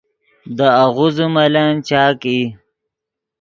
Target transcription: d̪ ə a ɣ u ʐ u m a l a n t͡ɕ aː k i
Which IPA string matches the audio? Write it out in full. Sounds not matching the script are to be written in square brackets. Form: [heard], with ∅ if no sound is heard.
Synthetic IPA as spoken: d̪ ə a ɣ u [z] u m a l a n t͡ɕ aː k i